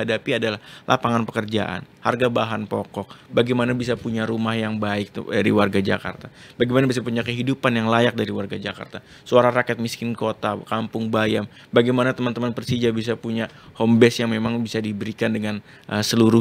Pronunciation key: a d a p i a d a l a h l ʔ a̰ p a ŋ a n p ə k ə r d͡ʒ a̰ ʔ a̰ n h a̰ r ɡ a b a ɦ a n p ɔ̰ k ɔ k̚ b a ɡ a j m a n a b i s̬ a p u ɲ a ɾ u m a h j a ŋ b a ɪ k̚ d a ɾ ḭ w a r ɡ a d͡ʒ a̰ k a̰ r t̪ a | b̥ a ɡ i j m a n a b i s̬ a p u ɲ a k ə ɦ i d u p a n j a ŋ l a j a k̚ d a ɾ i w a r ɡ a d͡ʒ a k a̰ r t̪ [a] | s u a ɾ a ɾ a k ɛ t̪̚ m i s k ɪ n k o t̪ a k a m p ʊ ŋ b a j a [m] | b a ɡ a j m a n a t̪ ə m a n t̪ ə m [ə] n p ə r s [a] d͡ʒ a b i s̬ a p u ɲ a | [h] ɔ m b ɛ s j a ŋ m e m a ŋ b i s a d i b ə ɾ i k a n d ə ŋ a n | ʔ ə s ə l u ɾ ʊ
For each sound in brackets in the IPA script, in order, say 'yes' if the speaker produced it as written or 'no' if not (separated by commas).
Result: yes, yes, no, no, yes